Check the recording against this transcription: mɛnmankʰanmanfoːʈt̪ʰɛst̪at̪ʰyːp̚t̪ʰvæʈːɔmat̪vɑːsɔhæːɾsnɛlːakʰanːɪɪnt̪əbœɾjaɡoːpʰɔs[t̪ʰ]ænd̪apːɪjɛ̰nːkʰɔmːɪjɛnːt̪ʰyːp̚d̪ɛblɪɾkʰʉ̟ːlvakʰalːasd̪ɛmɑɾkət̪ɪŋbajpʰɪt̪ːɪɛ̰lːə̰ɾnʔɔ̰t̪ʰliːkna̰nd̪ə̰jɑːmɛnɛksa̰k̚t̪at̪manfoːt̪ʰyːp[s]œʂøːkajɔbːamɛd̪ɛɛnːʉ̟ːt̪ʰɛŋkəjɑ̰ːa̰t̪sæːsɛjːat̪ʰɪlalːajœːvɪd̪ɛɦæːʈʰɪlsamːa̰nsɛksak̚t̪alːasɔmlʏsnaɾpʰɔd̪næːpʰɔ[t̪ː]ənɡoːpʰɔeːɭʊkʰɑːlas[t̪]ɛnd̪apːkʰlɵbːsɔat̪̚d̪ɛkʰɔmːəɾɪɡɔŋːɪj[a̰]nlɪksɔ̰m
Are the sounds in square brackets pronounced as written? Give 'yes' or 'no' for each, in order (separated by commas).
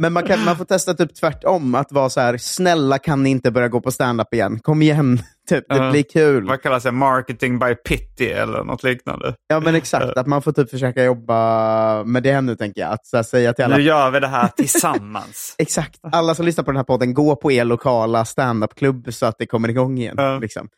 no, no, no, yes, no